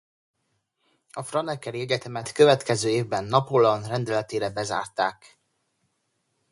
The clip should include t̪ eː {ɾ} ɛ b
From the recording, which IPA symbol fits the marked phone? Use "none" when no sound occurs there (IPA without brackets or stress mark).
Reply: ɾ